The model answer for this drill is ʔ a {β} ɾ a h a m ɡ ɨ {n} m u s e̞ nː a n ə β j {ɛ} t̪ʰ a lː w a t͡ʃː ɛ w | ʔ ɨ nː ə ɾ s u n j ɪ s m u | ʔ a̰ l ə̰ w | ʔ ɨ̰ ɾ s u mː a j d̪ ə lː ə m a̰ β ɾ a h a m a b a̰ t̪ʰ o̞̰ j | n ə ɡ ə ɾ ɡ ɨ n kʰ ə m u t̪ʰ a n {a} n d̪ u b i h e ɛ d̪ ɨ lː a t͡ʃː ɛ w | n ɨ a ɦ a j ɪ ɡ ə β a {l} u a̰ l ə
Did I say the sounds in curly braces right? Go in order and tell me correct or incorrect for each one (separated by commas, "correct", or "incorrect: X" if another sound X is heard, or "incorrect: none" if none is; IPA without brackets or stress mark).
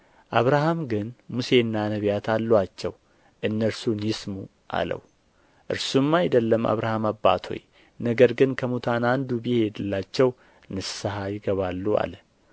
correct, correct, incorrect: a, correct, incorrect: lː